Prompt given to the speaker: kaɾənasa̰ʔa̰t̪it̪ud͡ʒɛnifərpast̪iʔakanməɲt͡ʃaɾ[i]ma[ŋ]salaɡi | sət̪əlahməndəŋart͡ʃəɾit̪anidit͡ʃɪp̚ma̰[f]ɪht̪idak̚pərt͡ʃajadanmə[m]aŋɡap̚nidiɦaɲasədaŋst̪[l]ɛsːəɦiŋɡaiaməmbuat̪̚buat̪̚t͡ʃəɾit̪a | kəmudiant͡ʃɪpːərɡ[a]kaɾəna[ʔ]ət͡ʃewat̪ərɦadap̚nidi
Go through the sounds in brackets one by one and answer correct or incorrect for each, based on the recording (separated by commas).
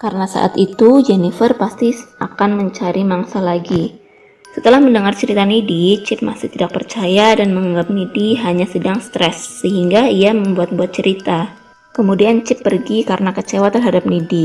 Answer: correct, correct, incorrect, incorrect, incorrect, incorrect, incorrect